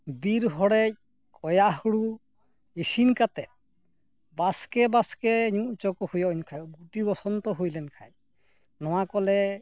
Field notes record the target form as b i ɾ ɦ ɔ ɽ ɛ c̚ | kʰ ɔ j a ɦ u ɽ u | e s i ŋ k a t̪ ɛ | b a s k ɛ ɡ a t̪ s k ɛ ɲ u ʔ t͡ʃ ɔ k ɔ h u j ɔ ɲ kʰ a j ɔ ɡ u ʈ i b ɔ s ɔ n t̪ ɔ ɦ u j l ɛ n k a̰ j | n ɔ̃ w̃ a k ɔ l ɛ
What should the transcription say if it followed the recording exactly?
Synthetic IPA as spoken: b i ɾ ɦ ɔ ɽ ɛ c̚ | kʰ ɔ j a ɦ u ɽ u | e s i n k a t̪ ɛ | b a s k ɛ b a s k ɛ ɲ u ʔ t͡ʃ ɔ k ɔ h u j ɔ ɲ kʰ a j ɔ ɡ u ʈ i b ɔ s ɔ n t̪ ɔ ɦ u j l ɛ n kʰ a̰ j | n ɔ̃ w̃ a k ɔ l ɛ